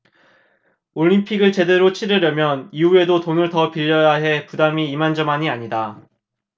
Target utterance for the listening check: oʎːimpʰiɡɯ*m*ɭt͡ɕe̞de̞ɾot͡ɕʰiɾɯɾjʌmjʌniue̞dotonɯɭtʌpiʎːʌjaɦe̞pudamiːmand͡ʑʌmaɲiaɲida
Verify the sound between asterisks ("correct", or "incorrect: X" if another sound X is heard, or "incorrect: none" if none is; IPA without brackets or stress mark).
incorrect: none